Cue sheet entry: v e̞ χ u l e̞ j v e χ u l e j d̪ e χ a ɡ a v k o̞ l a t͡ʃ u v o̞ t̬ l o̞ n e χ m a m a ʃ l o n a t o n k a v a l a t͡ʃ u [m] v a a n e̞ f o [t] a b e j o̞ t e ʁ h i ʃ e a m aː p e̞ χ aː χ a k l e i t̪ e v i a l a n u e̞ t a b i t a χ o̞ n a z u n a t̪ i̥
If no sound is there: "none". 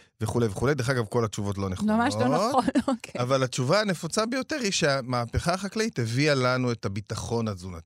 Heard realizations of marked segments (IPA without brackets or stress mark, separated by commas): none, t͡s